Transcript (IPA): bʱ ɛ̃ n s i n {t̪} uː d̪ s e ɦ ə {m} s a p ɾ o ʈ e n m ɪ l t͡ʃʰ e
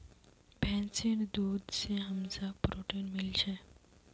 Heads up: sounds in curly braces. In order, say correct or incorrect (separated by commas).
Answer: incorrect, correct